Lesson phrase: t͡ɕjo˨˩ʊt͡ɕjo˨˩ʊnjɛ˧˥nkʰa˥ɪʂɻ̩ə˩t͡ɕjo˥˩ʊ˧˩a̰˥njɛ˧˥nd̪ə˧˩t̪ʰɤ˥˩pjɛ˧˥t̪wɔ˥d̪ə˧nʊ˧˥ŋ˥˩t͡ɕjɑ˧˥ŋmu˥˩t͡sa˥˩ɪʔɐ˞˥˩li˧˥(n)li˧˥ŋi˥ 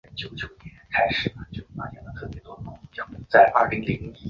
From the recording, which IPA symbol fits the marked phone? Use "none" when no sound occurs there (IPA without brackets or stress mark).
ŋ